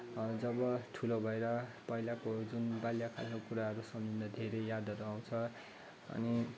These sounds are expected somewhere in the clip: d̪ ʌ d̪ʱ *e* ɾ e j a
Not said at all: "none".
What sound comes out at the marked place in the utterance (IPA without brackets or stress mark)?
e